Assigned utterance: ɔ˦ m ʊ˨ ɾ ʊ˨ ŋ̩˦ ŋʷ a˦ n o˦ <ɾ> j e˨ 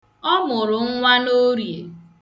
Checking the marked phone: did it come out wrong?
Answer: no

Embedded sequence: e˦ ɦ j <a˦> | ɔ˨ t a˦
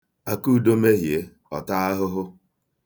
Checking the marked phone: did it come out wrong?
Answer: yes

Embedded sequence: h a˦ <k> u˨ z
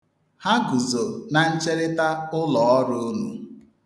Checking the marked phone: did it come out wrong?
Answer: yes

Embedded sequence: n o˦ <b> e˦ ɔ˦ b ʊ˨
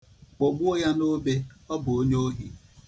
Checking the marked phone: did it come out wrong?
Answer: no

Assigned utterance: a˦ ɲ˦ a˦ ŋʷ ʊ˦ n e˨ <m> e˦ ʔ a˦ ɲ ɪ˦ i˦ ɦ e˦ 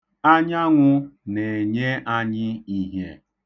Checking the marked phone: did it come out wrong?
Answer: yes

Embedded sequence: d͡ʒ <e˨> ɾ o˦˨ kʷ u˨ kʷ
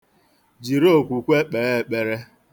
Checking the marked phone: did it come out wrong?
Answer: yes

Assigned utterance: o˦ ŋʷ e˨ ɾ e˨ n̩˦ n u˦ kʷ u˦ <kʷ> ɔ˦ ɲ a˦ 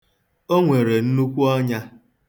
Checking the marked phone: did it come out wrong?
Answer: yes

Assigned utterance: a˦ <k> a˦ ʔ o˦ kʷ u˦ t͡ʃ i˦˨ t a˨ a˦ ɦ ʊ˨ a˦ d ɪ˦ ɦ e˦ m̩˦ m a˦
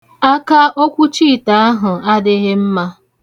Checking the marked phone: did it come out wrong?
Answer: no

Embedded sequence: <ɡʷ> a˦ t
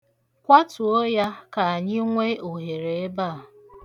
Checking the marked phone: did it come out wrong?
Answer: yes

